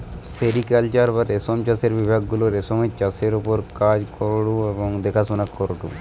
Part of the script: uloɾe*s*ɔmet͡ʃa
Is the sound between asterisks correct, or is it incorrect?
correct